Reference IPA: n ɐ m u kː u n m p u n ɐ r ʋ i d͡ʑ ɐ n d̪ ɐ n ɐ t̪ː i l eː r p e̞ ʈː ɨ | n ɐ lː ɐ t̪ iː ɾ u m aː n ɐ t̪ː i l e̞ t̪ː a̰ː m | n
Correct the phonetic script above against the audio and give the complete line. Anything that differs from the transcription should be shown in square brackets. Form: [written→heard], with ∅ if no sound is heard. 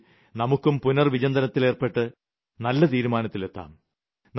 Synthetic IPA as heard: n ɐ m u kː u [n→∅] m p u n ɐ r ʋ i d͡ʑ ɐ n d̪ ɐ n ɐ t̪ː i l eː r p e̞ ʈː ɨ | n ɐ lː ɐ t̪ iː ɾ u m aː n ɐ t̪ː i l e̞ t̪ː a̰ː m | n